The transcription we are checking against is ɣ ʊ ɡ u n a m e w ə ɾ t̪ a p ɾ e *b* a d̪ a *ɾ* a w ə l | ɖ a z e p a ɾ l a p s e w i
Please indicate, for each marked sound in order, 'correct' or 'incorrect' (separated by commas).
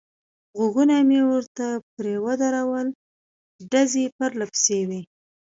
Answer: incorrect, correct